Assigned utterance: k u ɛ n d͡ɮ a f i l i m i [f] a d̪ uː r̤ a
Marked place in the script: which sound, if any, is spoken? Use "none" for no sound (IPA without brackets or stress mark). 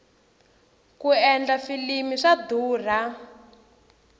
ʂ